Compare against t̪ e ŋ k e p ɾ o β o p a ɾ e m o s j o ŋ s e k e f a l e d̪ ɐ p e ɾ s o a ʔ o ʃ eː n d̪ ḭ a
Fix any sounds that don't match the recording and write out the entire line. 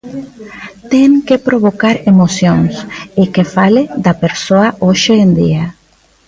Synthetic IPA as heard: t̪ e ŋ k e p ɾ o β o k a ɾ e m o s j o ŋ s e k e f a l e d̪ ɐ p e ɾ s o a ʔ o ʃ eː n d̪ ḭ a